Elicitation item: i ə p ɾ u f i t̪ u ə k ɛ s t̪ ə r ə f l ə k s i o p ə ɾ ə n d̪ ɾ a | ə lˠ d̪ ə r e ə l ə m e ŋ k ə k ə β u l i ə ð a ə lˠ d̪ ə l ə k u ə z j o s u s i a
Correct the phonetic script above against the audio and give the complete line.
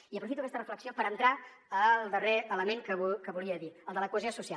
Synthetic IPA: i ə p ɾ u f i t̪ u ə k ɛ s t̪ ə r ə f l ə k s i o p ə ɾ ə n t̪ ɾ a | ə lˠ d̪ ə r e ə l ə m e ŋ k ə k ə β u l i ə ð i ə lˠ d̪ ə l ə k u ə z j o s u s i a

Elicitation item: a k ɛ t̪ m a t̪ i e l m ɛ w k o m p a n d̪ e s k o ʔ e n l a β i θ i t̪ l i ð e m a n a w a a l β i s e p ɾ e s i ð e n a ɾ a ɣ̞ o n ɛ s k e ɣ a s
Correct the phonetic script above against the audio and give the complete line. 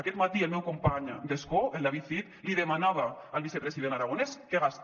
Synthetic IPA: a k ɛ t̪ m a t̪ i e l m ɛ w k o m p a ɲ d̪ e s k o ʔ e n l a β i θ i t̪ l i ð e m a n a β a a l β i s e p ɾ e s i ð e n a ɾ a ɣ̞ o n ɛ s k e ɣ a s

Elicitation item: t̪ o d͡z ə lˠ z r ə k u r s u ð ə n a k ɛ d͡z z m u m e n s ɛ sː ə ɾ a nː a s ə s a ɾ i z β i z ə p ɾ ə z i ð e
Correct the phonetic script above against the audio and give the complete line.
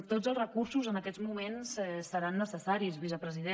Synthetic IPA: t̪ o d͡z ə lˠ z r ə k u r s u z ə n ə k ɛ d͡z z m u m e n s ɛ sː ə ɾ a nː ə s ə s a ɾ i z β i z ə p ɾ ə z i ð e

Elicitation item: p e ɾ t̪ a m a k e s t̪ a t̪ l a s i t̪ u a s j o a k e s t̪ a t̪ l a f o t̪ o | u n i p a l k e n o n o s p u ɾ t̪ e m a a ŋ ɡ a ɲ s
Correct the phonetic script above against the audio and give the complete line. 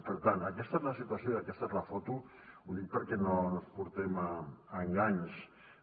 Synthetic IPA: p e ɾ t̪ a n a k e s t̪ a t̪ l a s i t̪ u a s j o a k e s t̪ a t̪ l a f o t̪ u | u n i p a ɾ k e n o n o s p u ɾ t̪ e m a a ŋ ɡ a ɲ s

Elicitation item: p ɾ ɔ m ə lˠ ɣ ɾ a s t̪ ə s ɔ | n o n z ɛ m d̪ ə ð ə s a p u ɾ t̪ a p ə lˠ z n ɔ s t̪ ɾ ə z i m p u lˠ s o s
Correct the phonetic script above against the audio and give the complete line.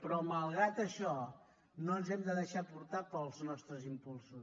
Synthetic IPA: p ɾ ɔ m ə lˠ ɣ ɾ a t̪ ə ʃ ɔ | n o n z ɛ m d̪ ə ð ə ʃ a p u ɾ t̪ a p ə lˠ z n ɔ s t̪ ɾ ə z i m p u lˠ s u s

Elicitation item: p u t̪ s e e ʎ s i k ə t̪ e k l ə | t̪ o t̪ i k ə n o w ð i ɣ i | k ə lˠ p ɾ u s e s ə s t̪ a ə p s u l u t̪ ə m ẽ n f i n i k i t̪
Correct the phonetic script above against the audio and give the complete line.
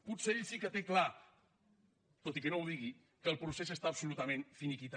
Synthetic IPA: p u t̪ s e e ʎ s i k ə t̪ e k l a | t̪ o t̪ i k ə n o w ð i ɣ i | k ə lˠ p ɾ u s e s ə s t̪ a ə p s u l u t̪ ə m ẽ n f i n i k i t̪

